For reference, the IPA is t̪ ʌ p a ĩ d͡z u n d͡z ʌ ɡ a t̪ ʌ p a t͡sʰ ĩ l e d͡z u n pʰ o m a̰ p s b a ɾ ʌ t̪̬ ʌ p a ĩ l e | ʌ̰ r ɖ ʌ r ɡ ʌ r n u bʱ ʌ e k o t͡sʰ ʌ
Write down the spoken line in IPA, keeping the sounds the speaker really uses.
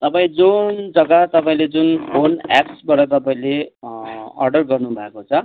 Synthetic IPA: t̪ ʌ p a ĩ d͡z u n d͡z ʌ ɡ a t̪ ʌ p a ĩ l e d͡z u n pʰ o n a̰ p s b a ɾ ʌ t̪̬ ʌ p a ĩ l e | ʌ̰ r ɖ ʌ r ɡ ʌ r n u bʱ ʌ e k o t͡sʰ ʌ